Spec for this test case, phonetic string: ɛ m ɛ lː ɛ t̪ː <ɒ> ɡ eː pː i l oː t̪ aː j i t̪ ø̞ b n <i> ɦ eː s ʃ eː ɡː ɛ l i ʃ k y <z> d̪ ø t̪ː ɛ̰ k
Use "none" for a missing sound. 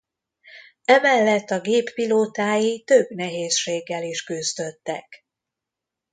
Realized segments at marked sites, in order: ɒ, ɛ, z

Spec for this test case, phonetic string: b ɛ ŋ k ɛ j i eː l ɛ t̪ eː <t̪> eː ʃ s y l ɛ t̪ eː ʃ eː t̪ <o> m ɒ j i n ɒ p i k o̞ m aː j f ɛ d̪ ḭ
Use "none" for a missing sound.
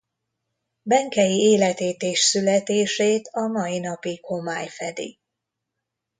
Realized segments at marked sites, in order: t̪, ɒ

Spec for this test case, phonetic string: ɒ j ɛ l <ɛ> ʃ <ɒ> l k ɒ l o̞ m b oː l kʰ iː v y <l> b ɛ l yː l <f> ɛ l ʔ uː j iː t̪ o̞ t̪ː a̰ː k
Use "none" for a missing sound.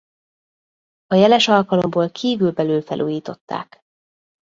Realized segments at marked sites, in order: ɛ, ɒ, l, f

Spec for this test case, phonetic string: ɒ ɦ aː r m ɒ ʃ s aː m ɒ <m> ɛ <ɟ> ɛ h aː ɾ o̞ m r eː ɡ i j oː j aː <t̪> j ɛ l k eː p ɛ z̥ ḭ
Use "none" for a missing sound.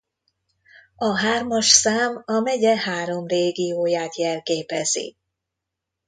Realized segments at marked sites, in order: m, ɟ, t̪

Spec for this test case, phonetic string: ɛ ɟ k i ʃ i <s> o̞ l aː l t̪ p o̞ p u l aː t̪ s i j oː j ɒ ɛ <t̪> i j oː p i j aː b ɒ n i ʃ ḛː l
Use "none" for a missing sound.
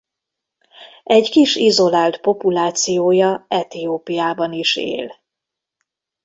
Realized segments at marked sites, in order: z, t̪

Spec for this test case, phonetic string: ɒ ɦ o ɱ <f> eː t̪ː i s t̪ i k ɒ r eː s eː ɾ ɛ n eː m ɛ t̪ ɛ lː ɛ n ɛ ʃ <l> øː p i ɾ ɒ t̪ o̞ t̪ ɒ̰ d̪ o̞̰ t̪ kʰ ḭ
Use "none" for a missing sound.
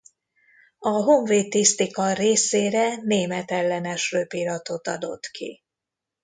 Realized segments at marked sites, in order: v, r

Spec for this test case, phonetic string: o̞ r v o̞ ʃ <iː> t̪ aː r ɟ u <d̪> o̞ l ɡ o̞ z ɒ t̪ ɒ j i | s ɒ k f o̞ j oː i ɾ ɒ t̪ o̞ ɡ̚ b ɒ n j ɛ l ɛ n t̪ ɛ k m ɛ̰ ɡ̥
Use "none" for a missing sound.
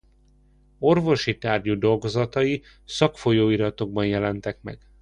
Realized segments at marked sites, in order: i, d̪

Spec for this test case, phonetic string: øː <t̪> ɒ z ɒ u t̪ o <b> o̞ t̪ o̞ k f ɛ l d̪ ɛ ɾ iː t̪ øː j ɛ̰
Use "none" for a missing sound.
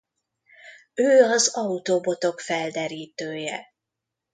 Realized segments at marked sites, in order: none, b

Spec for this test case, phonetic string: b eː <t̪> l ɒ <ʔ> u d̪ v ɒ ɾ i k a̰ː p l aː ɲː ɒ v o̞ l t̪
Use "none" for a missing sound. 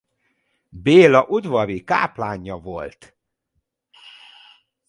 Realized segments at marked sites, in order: none, ʔ

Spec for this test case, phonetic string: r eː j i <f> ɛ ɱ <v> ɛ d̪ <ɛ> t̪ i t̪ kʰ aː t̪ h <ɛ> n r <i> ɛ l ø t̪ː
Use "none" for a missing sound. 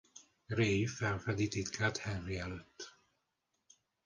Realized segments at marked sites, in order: f, f, i, ɛ, i

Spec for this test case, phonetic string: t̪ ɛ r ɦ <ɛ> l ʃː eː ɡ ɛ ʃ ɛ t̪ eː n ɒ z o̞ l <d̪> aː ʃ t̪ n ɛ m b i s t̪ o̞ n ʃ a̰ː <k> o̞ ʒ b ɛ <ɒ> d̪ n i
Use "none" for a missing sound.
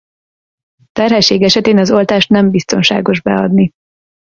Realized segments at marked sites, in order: ɛ, t̪, ɡ, ɒ

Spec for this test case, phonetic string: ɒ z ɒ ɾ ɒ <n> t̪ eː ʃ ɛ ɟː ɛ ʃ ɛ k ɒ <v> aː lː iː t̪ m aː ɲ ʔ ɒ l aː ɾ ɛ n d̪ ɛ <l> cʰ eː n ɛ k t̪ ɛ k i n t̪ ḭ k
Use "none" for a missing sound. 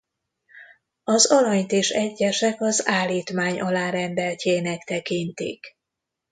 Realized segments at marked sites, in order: ɲ, z, l

